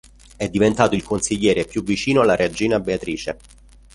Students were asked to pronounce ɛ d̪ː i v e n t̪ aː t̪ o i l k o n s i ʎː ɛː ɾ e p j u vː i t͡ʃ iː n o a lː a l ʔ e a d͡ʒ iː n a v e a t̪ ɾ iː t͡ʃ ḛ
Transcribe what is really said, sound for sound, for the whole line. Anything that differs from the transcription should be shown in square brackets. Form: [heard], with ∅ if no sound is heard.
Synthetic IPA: ɛ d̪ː i v e n t̪ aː t̪ o i l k o n s i ʎː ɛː ɾ e p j u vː i t͡ʃ iː n o a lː a [ɾ] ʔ e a d͡ʒ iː n a [b] e a t̪ ɾ iː t͡ʃ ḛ